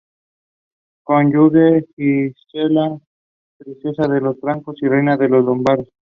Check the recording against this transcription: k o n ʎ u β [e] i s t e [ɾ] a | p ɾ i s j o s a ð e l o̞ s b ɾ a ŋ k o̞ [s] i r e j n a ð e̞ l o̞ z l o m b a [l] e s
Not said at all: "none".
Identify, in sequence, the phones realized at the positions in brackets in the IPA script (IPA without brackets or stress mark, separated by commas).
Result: e, l, s, ɾ